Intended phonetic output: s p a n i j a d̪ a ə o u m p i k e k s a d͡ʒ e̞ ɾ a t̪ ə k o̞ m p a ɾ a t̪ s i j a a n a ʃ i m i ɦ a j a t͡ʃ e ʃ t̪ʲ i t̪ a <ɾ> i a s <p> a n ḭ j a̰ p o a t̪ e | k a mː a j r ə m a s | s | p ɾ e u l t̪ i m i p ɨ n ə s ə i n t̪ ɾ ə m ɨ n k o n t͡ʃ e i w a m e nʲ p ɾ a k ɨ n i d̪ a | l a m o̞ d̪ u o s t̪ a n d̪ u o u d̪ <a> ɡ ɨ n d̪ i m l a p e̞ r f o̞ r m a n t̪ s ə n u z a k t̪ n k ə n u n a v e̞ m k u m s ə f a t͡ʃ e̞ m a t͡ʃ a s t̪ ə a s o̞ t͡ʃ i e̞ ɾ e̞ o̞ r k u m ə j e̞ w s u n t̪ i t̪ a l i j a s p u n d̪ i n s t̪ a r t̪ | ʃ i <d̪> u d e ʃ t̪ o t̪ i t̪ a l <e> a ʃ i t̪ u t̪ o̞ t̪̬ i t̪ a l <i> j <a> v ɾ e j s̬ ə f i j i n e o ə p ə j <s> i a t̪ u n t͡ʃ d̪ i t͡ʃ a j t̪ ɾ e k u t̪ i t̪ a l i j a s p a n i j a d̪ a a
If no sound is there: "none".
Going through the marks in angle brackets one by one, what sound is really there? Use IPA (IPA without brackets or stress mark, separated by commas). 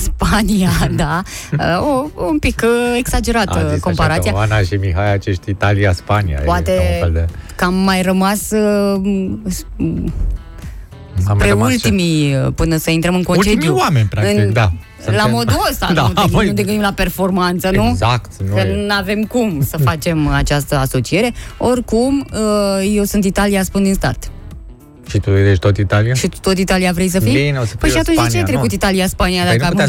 l, p, e, t̪, i, i, a, ʃ